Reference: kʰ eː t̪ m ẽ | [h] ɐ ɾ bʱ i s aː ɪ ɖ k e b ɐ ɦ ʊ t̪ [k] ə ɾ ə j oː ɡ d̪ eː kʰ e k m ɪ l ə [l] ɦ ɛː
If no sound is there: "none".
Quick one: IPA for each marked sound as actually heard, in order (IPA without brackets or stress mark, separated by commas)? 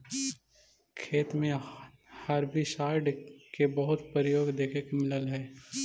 h, p, l